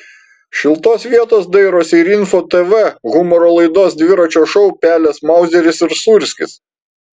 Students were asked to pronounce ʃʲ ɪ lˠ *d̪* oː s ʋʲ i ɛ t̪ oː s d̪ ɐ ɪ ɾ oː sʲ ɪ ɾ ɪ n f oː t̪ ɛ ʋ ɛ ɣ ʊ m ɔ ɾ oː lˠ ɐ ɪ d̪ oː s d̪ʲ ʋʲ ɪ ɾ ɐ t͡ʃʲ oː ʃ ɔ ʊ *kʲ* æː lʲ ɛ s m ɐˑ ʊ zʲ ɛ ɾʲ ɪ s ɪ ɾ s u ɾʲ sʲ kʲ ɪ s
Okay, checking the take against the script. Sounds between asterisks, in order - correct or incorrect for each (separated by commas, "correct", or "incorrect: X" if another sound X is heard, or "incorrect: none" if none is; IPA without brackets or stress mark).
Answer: incorrect: t̪, incorrect: pʲ